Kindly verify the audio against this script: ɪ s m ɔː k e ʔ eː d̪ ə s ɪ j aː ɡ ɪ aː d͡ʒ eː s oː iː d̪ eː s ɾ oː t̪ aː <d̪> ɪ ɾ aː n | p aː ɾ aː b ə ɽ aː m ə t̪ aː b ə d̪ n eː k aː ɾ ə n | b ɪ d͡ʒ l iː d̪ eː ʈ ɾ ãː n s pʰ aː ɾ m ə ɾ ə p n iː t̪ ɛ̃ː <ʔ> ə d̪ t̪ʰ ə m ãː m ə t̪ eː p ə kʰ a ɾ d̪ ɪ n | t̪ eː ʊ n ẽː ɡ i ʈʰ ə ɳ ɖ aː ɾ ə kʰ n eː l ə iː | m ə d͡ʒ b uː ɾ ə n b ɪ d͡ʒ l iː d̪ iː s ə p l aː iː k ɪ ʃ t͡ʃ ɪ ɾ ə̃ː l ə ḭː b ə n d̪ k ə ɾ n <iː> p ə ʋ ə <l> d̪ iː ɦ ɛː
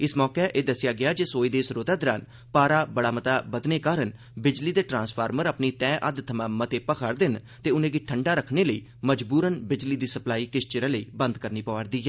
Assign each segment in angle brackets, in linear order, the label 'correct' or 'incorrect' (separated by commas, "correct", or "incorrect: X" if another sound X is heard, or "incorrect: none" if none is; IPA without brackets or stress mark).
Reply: correct, correct, correct, incorrect: ɾ